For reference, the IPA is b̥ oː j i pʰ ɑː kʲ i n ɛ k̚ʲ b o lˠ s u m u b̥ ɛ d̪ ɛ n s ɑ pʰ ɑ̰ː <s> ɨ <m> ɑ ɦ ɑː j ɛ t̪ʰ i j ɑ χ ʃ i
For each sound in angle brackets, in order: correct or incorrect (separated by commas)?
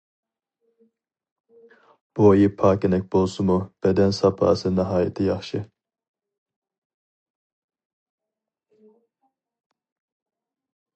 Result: correct, incorrect